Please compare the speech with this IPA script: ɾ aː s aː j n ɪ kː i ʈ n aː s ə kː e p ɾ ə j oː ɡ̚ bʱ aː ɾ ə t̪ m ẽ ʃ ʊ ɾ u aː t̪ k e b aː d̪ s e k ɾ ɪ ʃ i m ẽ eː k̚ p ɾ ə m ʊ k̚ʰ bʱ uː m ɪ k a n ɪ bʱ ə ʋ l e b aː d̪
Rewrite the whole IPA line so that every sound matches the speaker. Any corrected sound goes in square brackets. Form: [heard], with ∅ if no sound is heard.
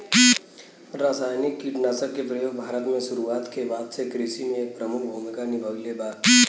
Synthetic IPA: ɾ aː s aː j n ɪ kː i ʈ n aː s ə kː e p ɾ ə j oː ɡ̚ bʱ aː ɾ ə t̪ m ẽ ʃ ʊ ɾ u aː t̪ k e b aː d̪ s e k ɾ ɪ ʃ i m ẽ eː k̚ p ɾ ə m ʊ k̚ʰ bʱ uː m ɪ k a n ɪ bʱ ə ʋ l e b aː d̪